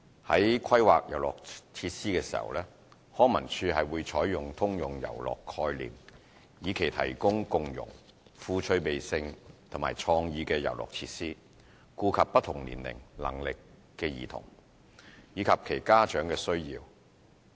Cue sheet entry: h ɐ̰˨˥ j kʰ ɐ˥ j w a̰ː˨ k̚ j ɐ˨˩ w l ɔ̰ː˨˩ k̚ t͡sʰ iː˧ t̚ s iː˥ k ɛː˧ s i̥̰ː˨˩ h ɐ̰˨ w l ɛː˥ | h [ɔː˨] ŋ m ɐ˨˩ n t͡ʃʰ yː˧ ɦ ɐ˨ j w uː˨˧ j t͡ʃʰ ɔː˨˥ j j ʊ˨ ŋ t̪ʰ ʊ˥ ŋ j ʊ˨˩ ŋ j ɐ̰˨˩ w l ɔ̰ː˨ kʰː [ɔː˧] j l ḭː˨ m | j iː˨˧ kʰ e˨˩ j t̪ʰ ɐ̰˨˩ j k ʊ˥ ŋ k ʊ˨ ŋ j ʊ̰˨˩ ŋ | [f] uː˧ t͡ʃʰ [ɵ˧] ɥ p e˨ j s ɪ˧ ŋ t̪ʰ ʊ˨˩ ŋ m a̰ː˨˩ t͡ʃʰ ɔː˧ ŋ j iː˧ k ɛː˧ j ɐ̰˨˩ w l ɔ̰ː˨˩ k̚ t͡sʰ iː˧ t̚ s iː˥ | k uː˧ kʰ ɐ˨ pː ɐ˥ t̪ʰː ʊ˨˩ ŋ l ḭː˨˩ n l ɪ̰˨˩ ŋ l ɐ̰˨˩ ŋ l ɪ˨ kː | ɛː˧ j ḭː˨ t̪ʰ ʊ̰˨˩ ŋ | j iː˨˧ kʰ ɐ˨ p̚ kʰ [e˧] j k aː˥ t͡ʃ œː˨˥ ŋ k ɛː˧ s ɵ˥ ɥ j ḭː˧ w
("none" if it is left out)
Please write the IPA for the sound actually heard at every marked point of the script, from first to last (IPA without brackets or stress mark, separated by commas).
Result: ɔː˥, ɔː˧, f, ɵ˧, e˨˩